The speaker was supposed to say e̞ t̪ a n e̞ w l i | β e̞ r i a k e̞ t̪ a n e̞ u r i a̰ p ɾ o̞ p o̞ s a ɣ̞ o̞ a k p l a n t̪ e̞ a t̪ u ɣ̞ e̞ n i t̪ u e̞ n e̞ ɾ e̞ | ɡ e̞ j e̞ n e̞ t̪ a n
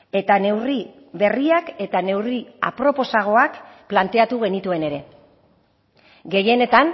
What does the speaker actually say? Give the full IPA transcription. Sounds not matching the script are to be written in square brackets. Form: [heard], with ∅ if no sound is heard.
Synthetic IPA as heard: e̞ t̪ a n e̞ w [r] i | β e̞ r i a k e̞ t̪ a n e̞ [w] r i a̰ p ɾ o̞ p o̞ s a ɣ̞ o̞ a k p l a n t̪ e̞ a t̪ u ɣ̞ e̞ n i t̪ u e̞ n e̞ ɾ e̞ | ɡ e̞ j e̞ n e̞ t̪ a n